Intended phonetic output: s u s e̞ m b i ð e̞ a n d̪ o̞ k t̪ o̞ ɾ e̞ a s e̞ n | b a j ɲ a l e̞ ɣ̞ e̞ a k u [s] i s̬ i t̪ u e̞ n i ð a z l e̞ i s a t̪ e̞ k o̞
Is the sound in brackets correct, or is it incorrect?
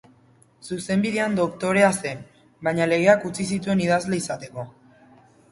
incorrect